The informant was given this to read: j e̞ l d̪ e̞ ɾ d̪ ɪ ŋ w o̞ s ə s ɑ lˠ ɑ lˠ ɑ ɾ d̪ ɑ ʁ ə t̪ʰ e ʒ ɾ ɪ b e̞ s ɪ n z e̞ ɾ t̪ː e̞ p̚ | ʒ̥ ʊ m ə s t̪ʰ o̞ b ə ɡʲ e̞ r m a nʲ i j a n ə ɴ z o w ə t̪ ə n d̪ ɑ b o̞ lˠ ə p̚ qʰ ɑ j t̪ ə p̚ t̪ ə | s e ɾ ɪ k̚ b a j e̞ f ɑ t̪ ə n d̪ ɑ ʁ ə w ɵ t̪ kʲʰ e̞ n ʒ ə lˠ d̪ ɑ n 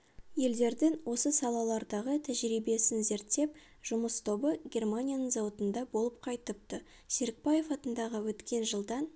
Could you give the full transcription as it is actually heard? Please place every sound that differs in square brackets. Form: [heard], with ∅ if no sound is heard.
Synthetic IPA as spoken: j e̞ l d̪ e̞ ɾ d̪ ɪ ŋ w o̞ s ə s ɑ lˠ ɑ lˠ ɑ ɾ d̪ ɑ ʁ ə t̪ʰ [æ] ʒ ɾ [i] b e̞ s ɪ n z e̞ ɾ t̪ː e̞ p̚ | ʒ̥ ʊ m ə s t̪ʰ o̞ b ə ɡʲ e̞ r m a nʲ i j a n ə ɴ z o w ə t̪ ə n d̪ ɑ b o̞ lˠ ə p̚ qʰ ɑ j t̪ ə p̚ t̪ ə | s e ɾ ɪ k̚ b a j e̞ f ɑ t̪ ə n d̪ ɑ ʁ ə w ɵ t̪ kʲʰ e̞ n ʒ ə lˠ d̪ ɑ n

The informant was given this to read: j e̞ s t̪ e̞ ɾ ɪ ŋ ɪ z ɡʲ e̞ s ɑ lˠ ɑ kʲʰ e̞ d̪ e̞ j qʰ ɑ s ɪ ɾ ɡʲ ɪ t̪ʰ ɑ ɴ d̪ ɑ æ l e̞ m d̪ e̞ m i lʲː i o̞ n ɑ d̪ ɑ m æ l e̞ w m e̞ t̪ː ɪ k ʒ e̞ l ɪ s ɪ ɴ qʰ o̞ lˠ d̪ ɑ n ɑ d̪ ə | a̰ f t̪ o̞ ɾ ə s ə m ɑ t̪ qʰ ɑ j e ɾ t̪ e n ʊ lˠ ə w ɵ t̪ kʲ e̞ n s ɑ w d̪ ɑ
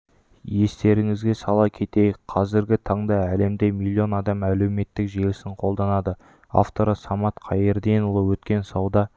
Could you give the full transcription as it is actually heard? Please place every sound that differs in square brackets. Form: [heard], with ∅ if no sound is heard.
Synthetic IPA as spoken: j e̞ s t̪ e̞ ɾ ɪ ŋ ɪ z ɡʲ e̞ s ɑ lˠ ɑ kʲʰ e̞ [t̪] e̞ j qʰ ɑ [z] ɪ ɾ ɡʲ ɪ t̪ʰ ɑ ɴ d̪ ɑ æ l e̞ m d̪ e̞ m i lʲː i o̞ n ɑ d̪ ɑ m æ l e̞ w m e̞ t̪ː ɪ k ʒ e̞ l ɪ s ɪ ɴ qʰ o̞ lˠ d̪ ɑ n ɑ d̪ ə | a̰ f t̪ o̞ ɾ ə s [ɑ] m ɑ t̪ qʰ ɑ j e ɾ [d̪] e n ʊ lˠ ə w ɵ t̪ kʲ e̞ n s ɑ w d̪ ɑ

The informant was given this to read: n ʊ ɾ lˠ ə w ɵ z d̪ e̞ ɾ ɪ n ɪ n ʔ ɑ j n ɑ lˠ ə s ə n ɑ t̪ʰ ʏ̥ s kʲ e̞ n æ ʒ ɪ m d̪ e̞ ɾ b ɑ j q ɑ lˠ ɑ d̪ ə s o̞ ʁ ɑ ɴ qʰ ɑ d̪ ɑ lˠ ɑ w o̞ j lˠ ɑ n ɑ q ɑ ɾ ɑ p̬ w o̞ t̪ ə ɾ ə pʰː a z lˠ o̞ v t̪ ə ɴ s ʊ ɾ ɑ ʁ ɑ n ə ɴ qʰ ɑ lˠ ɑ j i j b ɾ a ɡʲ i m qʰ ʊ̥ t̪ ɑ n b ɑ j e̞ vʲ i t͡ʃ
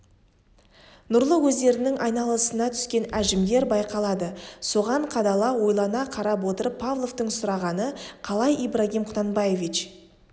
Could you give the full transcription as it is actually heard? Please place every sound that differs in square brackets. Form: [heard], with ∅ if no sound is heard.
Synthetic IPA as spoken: n ʊ ɾ lˠ ə w ɵ z d̪ e̞ ɾ ɪ n ɪ [ŋ] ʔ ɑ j n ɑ lˠ ə s ə n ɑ t̪ʰ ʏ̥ s kʲ e̞ n æ ʒ ɪ m d̪ e̞ ɾ b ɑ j q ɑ lˠ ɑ d̪ ə s o̞ ʁ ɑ ɴ qʰ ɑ d̪ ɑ lˠ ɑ w o̞ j lˠ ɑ n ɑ [qʰ] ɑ ɾ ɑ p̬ w o̞ t̪ ə ɾ ə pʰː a [v] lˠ o̞ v t̪ ə ɴ s ʊ ɾ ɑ ʁ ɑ n ə [∅] qʰ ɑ lˠ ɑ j i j b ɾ a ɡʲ i m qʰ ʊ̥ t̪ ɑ n b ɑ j e̞ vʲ i t͡ʃ

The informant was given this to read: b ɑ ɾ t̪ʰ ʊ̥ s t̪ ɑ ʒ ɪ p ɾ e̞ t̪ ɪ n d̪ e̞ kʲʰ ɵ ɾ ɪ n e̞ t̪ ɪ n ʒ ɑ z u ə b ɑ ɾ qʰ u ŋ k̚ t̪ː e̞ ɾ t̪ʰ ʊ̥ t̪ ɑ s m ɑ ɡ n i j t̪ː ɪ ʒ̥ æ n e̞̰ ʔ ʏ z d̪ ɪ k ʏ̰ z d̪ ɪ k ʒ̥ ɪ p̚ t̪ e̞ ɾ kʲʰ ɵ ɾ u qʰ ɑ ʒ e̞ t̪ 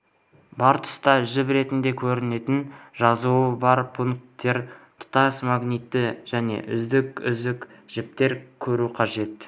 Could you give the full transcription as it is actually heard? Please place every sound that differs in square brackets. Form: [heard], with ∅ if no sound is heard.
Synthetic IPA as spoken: b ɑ ɾ t̪ʰ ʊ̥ s t̪ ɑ ʒ ɪ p ɾ e̞ t̪ ɪ n d̪ e̞ kʲʰ ɵ ɾ ɪ n e̞ t̪ ɪ n ʒ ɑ z u ə b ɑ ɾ [pʰ] u ŋ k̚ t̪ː e̞ ɾ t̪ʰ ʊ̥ t̪ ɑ s m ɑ ɡ n i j t̪ː ɪ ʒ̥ æ n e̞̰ ʔ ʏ z d̪ ɪ k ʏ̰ z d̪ ɪ k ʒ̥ ɪ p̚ t̪ e̞ ɾ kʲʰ ɵ ɾ u qʰ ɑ ʒ e̞ t̪

